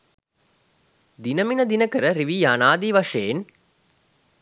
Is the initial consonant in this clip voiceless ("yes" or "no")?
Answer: no